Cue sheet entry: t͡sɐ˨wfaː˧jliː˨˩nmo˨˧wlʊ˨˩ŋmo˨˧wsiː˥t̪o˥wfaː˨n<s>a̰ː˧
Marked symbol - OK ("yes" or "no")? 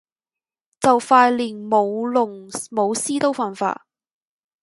no